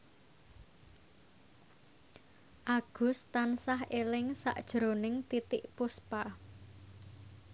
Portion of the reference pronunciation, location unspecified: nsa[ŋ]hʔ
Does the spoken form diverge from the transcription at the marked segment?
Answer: yes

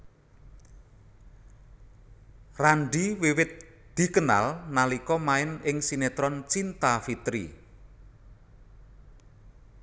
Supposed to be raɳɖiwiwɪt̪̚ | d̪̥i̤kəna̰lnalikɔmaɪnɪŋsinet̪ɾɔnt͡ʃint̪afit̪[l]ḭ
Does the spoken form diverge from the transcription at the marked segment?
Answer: yes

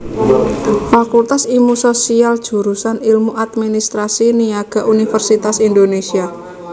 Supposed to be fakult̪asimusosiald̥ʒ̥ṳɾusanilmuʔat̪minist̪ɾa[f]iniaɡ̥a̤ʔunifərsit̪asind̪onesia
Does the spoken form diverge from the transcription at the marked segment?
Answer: yes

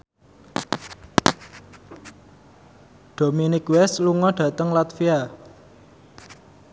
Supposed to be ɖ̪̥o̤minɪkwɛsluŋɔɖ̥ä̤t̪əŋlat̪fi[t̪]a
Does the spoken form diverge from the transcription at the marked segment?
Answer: yes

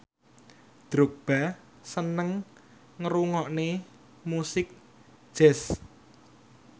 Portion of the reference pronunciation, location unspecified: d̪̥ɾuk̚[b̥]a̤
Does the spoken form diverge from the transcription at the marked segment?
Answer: no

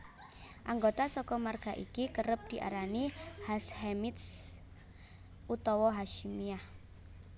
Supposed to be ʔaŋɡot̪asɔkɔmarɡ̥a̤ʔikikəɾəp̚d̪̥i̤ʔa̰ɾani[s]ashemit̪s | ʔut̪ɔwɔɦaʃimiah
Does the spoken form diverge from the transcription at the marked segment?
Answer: yes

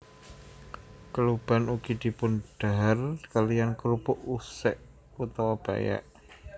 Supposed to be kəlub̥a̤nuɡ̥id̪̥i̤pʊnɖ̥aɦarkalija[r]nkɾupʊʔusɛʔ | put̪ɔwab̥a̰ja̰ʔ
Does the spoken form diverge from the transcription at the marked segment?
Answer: yes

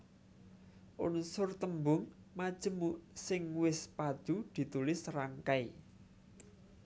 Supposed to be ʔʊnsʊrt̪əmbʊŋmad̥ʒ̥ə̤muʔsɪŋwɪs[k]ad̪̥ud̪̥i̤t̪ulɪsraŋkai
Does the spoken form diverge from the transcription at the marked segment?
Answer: yes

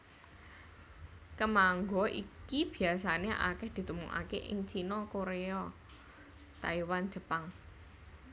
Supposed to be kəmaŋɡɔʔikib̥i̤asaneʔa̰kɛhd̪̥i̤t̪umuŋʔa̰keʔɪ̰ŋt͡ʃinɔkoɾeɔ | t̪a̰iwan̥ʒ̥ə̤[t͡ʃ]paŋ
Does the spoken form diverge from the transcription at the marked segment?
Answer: yes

